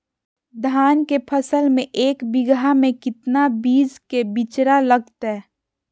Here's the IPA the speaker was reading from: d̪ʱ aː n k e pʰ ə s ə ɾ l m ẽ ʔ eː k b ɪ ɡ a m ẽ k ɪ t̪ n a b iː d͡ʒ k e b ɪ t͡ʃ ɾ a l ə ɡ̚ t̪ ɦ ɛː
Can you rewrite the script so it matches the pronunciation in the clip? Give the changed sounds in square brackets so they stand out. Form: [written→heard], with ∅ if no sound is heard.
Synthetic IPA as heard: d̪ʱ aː n k e pʰ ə s ə [ɾ→∅] l m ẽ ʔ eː k b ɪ ɡ a m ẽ k ɪ t̪ n a b iː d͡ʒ k e b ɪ t͡ʃ ɾ a l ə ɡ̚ t̪ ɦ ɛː